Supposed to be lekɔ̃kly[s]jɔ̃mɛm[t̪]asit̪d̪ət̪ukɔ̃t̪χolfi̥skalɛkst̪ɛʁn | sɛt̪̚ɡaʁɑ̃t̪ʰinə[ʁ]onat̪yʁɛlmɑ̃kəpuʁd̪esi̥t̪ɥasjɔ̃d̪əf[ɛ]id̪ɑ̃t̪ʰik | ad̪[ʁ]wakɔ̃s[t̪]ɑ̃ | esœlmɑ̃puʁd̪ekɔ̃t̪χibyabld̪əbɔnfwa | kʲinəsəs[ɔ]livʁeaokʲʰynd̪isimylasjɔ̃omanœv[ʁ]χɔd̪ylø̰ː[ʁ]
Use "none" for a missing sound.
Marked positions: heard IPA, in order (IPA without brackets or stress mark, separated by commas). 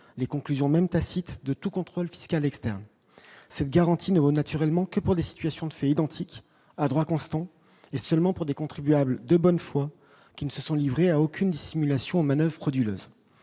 z, t̪, v, ɛ, ʁ, t̪, ɔ̃, ʁ, z